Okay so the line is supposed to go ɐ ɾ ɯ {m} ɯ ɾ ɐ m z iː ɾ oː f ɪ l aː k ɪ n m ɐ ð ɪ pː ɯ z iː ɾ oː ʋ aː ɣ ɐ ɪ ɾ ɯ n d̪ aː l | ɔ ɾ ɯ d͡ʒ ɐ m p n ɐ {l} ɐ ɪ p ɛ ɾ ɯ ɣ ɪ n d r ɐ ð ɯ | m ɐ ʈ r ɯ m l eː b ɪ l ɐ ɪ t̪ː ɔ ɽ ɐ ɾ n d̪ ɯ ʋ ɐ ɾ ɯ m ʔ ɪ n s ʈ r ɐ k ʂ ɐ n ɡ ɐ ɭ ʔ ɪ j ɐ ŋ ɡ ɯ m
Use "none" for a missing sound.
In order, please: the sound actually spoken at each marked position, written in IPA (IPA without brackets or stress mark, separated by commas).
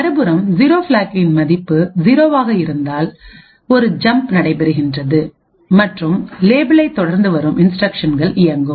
b, ɽ